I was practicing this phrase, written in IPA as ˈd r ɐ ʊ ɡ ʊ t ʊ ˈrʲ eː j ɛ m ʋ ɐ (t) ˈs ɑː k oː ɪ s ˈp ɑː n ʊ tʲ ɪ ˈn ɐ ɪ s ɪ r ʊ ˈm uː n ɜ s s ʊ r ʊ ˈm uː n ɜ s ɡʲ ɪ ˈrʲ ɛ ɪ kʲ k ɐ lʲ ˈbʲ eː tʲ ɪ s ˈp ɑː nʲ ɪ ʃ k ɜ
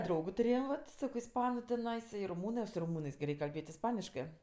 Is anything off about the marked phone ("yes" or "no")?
no